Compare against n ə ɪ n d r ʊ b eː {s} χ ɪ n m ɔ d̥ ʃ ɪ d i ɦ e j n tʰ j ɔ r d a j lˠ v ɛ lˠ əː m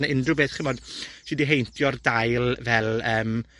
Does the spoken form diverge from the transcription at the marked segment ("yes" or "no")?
yes